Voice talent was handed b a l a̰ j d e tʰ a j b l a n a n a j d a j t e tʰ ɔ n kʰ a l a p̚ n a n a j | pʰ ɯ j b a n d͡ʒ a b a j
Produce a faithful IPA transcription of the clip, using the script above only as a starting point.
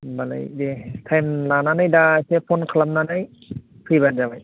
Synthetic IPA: b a l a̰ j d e tʰ a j m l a n a n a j d a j s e pʰ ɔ n kʰ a l a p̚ n a n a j | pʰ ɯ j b a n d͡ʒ a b a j